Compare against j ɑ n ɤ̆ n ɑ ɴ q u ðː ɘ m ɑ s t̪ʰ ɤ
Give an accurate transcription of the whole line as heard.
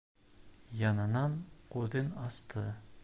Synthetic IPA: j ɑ n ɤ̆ n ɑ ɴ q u ð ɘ n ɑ s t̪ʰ ɤ